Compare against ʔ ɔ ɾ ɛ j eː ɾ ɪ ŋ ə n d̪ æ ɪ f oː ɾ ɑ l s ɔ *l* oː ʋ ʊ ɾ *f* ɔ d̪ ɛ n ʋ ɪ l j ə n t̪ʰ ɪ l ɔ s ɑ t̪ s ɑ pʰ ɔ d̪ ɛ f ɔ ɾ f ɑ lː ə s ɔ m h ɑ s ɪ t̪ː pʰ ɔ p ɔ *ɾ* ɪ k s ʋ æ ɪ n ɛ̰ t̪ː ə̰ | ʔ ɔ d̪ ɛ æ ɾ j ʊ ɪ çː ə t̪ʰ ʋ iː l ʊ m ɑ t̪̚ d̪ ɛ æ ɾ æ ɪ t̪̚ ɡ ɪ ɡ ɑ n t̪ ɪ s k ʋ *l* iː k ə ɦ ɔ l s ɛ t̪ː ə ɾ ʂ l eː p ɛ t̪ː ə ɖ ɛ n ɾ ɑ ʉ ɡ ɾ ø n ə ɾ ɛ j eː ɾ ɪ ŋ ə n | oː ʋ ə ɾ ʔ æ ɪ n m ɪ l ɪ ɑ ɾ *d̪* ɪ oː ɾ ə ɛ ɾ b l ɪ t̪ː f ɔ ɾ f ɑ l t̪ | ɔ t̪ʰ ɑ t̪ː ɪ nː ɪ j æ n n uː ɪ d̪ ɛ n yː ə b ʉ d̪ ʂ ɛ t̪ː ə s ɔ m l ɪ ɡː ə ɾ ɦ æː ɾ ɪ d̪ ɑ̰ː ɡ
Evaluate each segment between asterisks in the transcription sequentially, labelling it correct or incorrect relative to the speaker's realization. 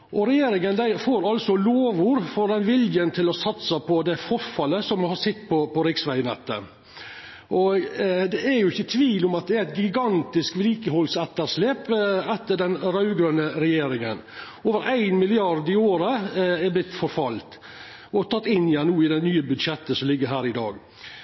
correct, correct, correct, correct, correct

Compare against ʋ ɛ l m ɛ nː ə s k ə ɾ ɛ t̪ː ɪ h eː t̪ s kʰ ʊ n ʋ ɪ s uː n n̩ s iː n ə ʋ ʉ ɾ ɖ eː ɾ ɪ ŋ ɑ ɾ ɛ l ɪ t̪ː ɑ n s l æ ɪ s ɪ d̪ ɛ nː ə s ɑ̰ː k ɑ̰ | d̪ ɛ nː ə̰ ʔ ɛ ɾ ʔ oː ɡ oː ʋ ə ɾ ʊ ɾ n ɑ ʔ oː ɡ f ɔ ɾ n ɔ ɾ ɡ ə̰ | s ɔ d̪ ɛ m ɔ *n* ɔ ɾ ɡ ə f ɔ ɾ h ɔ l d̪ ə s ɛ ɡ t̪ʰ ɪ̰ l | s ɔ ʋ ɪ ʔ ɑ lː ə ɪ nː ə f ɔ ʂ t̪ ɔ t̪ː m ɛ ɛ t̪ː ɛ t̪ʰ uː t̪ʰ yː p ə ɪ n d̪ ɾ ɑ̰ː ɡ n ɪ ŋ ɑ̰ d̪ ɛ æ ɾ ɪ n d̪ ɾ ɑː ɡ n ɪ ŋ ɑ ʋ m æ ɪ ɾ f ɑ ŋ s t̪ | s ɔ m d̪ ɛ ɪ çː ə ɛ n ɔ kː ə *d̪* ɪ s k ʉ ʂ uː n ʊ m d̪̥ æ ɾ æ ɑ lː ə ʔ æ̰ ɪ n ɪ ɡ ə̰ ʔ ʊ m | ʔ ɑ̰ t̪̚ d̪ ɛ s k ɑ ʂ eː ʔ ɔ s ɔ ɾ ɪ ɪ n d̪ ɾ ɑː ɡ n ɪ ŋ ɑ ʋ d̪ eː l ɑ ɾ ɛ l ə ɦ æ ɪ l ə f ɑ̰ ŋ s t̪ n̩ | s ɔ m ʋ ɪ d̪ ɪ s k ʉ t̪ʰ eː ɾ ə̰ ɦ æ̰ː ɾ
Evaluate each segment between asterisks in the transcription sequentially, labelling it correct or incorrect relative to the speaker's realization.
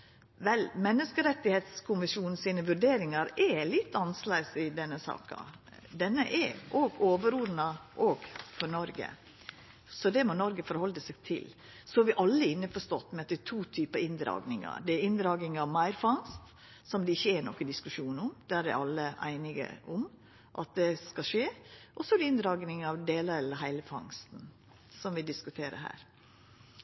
correct, correct

